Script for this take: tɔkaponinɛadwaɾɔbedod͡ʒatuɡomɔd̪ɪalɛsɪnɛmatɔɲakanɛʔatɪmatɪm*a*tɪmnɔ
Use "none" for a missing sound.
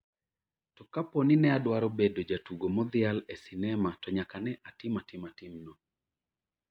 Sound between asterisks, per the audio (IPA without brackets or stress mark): a